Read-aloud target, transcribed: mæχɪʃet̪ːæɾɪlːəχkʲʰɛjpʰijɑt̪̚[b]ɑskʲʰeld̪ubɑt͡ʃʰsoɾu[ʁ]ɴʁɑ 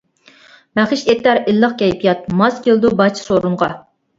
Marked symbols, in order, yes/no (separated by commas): no, no